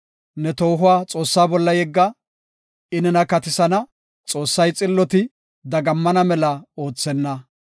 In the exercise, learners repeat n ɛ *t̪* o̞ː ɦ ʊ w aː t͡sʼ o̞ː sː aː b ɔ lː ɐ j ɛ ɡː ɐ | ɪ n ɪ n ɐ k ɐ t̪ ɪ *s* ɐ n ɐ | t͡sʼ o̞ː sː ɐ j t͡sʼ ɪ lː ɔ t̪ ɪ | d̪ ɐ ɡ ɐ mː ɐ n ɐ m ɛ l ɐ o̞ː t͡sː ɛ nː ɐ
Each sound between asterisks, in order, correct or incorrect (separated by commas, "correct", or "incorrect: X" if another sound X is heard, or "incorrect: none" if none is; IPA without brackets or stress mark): correct, correct